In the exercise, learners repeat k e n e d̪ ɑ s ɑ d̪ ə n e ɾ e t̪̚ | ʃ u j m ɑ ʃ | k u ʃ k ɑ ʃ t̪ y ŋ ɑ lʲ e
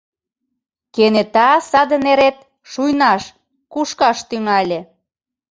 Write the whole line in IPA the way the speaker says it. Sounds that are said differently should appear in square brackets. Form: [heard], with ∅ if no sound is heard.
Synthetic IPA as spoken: k e n e [t̪] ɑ s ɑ d̪ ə n e ɾ e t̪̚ | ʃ u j [n] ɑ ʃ | k u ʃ k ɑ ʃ t̪ y ŋ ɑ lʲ e